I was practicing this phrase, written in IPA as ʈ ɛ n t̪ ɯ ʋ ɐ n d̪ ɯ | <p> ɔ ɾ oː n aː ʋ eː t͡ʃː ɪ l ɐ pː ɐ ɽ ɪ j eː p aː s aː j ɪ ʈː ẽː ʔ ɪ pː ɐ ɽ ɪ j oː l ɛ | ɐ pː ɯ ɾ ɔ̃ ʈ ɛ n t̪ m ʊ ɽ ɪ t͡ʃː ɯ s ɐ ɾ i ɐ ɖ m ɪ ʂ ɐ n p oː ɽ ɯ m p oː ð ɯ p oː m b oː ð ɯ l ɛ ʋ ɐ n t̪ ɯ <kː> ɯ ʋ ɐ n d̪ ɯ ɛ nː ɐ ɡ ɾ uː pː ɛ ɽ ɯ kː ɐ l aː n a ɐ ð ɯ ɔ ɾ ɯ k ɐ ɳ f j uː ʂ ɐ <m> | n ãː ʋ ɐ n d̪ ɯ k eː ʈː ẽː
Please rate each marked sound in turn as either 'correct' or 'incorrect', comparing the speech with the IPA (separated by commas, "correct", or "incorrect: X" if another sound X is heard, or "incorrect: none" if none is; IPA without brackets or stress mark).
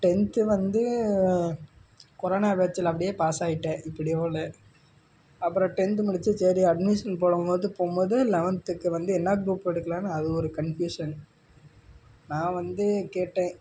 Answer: incorrect: k, correct, incorrect: n